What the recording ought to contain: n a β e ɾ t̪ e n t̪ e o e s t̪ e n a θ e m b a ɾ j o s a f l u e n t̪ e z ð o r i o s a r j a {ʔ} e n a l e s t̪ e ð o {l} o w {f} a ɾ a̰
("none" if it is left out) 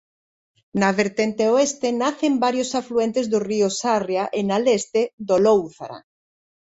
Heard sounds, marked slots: ʔ, l, θ

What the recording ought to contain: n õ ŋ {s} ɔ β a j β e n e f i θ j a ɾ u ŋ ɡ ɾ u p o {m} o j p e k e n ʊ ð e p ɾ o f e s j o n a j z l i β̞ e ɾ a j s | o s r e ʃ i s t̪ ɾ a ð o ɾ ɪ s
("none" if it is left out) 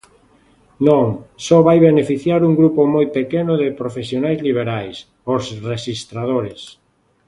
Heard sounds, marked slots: s, m

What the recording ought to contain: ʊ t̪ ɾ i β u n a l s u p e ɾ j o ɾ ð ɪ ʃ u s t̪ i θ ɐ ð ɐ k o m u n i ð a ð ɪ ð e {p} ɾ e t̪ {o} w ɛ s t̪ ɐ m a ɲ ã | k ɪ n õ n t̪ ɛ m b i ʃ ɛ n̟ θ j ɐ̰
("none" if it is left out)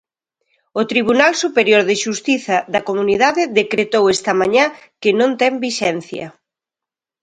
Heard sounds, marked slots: k, o

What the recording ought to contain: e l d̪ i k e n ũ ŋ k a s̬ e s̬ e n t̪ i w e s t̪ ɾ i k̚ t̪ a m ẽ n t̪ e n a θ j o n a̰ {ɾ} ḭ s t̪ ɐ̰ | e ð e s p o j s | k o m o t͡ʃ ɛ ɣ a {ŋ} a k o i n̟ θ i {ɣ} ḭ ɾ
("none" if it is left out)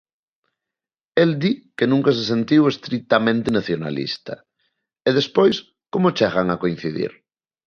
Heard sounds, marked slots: l, ŋ, ð

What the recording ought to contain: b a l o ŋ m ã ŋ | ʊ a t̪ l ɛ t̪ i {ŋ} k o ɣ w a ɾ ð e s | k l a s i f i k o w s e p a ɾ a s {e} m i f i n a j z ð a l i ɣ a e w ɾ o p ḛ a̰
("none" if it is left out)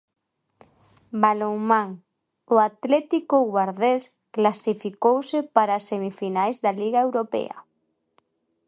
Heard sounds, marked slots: none, e

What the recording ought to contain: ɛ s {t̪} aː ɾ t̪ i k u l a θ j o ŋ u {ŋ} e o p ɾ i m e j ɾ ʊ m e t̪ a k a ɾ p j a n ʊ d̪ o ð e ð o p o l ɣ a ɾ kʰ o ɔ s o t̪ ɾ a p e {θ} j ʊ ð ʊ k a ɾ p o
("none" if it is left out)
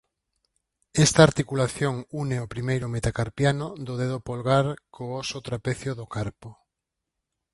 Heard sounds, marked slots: t̪, n, θ

